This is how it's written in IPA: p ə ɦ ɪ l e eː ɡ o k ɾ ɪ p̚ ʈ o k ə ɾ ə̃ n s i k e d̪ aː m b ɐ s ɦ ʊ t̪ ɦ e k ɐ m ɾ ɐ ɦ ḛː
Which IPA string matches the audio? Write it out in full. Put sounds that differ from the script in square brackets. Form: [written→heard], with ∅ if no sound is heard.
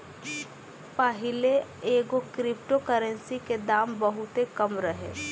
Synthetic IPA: p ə ɦ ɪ l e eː ɡ o k ɾ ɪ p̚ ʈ o k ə ɾ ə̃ n s i k e d̪ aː m b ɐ [s→∅] ɦ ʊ t̪ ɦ e k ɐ m ɾ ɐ ɦ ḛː